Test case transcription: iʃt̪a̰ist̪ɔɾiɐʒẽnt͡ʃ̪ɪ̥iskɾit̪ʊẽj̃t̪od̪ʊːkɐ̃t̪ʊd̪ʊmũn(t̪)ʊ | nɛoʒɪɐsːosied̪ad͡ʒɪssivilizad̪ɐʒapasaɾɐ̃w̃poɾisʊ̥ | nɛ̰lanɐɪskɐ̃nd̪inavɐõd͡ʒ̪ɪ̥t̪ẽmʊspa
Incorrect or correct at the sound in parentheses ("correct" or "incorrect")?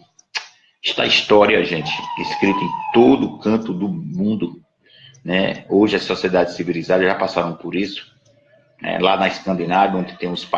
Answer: incorrect